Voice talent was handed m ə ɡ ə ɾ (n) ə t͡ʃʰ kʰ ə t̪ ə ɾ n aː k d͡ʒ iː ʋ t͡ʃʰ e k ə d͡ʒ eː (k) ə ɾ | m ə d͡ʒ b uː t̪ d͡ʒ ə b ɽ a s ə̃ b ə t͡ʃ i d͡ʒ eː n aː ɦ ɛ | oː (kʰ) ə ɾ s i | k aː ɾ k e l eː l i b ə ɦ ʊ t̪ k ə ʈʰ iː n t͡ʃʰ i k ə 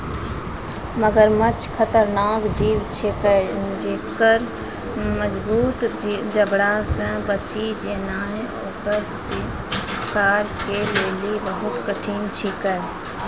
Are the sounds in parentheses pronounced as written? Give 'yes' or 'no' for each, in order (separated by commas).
no, yes, no